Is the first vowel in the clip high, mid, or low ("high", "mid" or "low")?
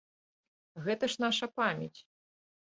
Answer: mid